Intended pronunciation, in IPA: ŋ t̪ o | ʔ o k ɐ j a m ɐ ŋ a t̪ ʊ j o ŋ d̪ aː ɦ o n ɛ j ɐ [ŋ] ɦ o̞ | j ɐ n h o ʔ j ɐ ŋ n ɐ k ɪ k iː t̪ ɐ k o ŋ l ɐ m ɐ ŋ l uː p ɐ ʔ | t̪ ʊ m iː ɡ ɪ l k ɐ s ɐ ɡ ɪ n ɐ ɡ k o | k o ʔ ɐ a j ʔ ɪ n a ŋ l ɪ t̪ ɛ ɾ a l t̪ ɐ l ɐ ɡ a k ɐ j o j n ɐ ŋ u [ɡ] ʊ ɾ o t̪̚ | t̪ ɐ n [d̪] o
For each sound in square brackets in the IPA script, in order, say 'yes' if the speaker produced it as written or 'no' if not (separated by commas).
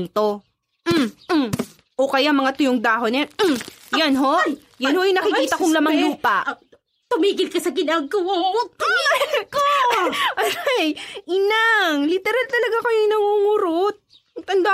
no, no, yes